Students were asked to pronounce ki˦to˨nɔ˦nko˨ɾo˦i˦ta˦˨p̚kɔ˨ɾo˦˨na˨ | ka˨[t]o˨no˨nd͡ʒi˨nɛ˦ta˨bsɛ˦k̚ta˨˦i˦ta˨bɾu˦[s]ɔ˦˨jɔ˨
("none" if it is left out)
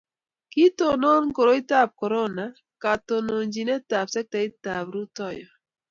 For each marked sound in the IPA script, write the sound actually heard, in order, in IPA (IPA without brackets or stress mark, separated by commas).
t, t